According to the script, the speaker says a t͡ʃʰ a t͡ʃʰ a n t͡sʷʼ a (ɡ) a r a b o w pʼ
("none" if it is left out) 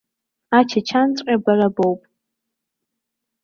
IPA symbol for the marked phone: b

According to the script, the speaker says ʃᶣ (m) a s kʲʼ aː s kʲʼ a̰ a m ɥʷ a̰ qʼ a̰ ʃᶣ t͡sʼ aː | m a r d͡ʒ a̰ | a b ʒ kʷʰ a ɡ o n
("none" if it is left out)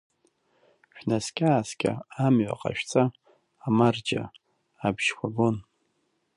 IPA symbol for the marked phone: n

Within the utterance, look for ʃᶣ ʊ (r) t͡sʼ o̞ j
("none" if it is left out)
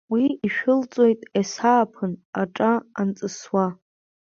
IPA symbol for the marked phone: l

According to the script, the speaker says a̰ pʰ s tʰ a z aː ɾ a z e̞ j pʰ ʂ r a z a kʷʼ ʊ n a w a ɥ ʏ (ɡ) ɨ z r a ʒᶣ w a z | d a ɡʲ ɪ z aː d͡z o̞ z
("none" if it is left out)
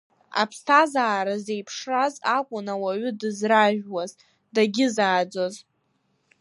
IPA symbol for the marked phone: d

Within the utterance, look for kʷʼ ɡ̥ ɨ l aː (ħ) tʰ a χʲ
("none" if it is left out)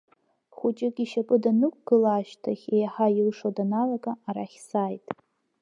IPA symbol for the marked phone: ʃ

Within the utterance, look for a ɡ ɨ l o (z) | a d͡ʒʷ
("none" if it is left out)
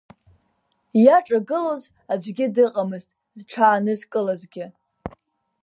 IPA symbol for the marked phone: z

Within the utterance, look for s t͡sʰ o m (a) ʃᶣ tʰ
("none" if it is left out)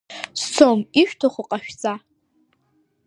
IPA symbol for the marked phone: i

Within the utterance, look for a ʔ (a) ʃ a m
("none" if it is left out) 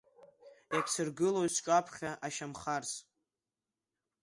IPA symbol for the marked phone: a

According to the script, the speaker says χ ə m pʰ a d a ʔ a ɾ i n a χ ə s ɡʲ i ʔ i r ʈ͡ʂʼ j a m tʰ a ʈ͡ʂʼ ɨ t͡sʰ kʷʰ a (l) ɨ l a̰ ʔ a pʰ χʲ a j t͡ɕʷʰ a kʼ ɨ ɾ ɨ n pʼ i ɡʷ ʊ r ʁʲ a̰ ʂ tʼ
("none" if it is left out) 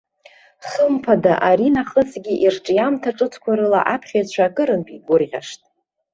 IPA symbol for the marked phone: ɾ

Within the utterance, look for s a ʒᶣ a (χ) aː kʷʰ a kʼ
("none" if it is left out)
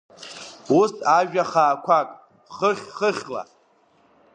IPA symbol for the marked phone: χ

